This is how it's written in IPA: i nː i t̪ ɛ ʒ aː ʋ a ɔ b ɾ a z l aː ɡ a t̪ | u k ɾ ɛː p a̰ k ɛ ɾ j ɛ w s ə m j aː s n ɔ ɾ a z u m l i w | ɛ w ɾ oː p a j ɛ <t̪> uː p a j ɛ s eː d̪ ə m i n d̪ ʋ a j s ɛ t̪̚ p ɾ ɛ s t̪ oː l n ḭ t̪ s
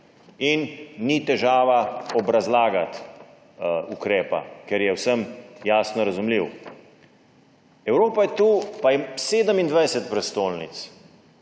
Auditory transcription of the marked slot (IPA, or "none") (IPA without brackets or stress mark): t̪